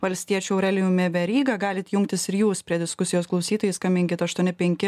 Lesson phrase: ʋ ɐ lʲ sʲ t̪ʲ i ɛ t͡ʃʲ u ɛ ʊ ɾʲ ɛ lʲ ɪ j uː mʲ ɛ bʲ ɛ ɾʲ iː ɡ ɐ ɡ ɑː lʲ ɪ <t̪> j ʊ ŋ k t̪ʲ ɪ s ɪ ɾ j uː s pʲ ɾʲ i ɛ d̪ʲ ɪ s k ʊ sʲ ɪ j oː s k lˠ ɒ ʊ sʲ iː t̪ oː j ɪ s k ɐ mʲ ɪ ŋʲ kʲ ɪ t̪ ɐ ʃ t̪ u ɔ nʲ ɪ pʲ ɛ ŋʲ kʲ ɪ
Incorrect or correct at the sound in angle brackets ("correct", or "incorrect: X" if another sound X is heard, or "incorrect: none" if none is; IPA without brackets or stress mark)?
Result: correct